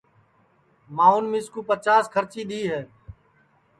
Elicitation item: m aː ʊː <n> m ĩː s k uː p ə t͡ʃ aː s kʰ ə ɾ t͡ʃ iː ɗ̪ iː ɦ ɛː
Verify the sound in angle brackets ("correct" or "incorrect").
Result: correct